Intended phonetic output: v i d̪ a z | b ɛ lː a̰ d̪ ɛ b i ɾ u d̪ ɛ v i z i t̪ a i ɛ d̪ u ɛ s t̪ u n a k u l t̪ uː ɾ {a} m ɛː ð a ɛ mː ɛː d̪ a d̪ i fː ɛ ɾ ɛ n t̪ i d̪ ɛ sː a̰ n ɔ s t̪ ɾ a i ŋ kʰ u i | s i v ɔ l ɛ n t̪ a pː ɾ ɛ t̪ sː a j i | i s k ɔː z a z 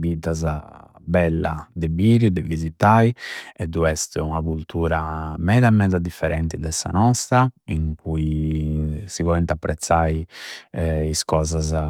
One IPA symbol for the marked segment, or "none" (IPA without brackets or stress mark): a